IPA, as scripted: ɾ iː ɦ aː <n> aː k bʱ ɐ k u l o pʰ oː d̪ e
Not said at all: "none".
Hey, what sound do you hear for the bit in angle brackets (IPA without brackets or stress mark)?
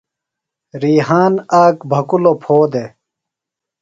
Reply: n